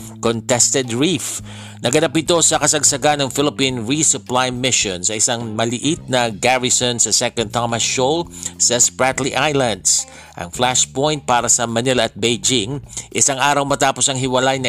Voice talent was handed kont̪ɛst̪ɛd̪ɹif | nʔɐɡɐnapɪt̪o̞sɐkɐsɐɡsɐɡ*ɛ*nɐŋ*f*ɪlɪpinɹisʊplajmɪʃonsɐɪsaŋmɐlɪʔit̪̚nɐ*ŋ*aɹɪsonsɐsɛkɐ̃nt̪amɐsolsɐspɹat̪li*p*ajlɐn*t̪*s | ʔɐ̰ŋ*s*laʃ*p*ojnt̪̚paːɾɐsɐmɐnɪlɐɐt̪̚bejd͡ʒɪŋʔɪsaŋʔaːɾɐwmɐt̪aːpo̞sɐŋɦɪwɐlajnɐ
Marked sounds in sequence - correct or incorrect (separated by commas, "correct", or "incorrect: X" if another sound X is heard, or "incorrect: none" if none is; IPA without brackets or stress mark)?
incorrect: a, correct, incorrect: ɡ, incorrect: ʔ, incorrect: d̪, incorrect: f, correct